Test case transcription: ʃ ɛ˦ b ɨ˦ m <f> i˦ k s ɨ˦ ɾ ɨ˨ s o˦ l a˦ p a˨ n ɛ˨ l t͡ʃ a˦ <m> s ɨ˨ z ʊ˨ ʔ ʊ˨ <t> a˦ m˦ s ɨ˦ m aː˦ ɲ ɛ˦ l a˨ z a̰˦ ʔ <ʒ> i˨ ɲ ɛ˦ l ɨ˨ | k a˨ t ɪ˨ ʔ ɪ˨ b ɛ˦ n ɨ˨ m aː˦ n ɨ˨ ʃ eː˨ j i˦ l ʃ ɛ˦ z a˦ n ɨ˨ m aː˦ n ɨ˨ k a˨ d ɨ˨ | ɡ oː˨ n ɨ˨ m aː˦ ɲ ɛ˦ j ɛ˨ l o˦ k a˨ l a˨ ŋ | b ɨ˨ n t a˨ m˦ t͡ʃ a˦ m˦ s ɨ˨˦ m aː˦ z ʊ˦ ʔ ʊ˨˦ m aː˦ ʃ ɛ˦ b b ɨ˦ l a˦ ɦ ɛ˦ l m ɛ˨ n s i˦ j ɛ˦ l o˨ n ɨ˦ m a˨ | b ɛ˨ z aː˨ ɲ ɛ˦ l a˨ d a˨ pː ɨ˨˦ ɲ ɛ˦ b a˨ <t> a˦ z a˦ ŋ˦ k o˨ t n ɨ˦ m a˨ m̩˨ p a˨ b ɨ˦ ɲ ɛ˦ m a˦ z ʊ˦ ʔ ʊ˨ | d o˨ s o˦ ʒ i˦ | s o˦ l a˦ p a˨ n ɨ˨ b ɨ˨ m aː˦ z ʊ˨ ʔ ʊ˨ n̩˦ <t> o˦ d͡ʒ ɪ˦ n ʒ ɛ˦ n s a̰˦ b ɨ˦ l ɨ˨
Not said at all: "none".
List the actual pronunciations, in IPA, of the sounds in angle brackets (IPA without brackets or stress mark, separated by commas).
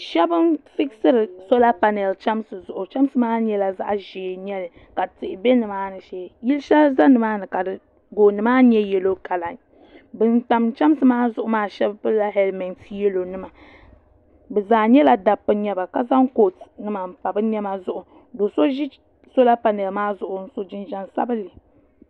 f, m, t͡ʃ, ʒ, k, s